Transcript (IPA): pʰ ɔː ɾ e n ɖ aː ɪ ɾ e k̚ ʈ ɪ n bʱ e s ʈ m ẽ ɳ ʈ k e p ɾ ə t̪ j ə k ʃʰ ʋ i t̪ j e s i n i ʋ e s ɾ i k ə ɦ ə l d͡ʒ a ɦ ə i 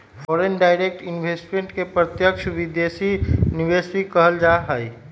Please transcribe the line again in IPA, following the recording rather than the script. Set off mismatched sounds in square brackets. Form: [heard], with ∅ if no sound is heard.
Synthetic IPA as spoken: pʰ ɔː ɾ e n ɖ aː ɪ ɾ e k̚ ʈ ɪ n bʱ e s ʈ m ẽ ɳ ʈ k e p ɾ ə t̪ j ə k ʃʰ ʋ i [d̪] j e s i n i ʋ e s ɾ i k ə ɦ ə l d͡ʒ a ɦ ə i